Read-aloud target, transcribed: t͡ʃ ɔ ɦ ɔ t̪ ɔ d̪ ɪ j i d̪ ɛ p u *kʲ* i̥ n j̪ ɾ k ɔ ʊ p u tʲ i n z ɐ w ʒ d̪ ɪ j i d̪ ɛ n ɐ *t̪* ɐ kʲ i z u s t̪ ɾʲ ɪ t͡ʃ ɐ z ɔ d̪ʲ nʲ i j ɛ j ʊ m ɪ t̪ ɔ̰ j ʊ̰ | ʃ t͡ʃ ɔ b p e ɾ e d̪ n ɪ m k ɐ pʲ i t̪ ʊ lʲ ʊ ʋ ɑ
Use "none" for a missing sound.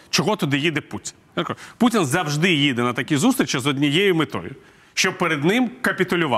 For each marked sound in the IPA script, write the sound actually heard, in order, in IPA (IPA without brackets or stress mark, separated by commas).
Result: tʲ, t̪